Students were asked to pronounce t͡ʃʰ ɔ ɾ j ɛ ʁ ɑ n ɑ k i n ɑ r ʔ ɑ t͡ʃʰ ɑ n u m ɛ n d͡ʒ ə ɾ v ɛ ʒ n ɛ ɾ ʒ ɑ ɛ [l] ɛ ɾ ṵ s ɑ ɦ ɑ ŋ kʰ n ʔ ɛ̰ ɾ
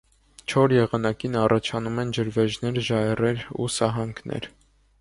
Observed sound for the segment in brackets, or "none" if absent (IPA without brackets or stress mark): r